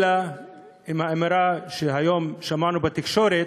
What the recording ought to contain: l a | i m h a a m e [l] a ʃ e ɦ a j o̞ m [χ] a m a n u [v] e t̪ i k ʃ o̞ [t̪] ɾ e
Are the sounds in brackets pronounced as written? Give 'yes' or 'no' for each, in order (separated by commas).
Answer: no, no, no, no